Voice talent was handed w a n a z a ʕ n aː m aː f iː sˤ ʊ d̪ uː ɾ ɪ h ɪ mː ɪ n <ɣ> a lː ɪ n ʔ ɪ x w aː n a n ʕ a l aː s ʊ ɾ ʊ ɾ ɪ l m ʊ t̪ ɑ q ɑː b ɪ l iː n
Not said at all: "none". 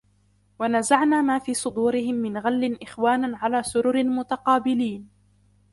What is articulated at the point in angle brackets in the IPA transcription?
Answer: ɣ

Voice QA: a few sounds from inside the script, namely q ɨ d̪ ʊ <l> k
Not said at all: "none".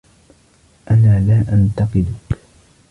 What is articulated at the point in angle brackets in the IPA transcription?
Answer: none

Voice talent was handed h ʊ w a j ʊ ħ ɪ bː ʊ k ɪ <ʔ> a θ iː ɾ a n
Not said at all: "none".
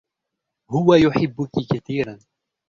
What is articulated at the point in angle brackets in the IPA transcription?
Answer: k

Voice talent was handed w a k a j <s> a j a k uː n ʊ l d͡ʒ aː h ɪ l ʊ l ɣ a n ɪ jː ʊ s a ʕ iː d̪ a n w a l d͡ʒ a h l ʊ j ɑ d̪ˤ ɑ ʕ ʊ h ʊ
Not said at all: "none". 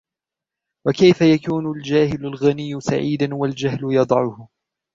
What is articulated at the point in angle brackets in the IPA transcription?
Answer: f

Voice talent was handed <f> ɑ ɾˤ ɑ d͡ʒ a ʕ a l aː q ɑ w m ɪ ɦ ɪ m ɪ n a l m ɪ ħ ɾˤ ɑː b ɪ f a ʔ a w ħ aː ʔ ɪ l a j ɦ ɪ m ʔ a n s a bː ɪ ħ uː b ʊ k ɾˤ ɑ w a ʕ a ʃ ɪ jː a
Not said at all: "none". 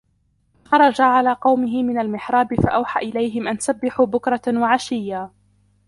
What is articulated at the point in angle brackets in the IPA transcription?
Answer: x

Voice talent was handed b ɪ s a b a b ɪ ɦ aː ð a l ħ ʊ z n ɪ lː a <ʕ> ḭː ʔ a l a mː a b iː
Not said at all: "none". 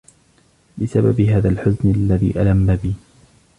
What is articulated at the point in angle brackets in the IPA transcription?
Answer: ð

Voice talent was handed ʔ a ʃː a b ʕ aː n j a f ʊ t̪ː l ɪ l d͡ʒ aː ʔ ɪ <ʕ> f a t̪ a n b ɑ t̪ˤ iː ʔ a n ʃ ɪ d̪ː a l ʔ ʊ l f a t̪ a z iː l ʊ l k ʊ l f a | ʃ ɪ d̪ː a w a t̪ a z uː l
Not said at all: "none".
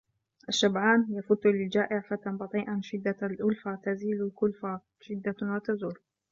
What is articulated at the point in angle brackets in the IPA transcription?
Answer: ʕ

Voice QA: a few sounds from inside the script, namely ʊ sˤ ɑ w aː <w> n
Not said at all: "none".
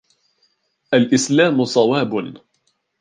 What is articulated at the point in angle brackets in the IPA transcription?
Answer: b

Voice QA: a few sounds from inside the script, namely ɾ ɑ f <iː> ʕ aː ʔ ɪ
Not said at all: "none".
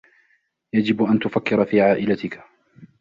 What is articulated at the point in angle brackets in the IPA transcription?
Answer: iː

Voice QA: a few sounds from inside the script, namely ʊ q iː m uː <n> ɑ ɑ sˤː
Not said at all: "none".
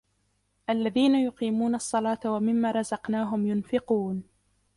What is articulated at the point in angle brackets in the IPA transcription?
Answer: n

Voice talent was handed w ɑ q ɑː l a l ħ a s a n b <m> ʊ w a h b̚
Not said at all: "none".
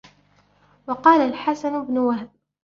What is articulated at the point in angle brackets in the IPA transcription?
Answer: n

